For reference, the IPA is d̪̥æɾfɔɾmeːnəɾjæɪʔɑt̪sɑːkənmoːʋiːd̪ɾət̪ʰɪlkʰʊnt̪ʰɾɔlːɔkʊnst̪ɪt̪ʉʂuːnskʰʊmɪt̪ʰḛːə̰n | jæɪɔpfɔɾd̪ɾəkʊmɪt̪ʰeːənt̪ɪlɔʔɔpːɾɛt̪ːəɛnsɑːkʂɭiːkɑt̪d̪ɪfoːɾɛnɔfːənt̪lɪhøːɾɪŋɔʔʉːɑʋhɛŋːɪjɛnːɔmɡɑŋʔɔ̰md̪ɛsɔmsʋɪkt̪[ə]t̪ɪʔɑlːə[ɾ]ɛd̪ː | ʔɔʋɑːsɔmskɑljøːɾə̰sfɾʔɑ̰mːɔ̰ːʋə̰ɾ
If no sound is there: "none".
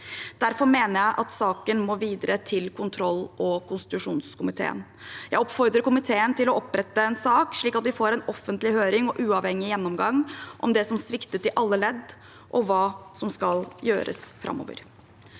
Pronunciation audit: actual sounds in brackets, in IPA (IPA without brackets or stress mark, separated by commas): ə, l